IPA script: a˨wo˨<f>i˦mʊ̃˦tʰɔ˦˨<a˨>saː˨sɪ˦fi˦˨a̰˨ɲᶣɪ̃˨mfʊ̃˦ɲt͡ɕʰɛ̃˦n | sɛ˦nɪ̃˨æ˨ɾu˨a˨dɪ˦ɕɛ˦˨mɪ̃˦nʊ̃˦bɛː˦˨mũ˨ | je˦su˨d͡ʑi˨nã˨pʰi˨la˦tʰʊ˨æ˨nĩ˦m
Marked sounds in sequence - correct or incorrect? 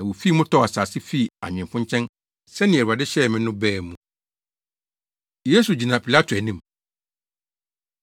correct, correct

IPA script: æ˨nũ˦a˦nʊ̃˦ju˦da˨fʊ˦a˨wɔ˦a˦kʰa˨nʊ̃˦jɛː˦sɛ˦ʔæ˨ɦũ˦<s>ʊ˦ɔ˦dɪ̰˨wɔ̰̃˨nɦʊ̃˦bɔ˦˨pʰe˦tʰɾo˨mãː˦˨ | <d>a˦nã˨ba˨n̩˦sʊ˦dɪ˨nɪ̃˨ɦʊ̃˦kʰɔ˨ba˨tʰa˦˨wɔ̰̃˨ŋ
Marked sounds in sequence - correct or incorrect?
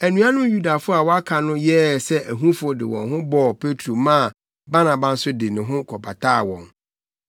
incorrect, incorrect

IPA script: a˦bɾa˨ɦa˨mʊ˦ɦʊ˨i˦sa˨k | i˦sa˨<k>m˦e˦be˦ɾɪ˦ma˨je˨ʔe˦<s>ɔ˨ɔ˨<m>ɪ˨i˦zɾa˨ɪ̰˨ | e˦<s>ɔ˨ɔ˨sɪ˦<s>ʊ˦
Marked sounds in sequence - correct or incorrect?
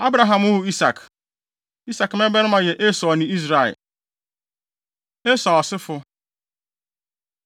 correct, correct, incorrect, correct, incorrect

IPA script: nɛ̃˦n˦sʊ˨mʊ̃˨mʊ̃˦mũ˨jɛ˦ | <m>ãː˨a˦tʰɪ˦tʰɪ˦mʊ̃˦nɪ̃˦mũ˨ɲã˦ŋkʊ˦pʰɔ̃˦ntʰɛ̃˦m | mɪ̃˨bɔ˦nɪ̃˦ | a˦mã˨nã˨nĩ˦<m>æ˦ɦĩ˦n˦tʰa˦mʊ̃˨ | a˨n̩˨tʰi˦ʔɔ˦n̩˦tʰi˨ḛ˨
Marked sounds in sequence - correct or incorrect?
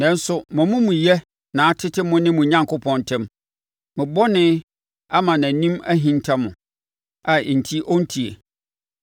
incorrect, correct

